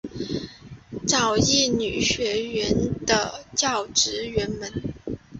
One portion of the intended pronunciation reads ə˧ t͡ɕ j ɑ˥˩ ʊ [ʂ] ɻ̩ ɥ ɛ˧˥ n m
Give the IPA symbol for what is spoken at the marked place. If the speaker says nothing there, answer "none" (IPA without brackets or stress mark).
ʈ͡ʂ